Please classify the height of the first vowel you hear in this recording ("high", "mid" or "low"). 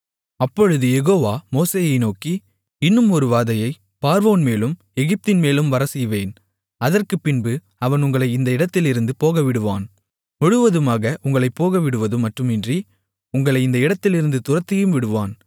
low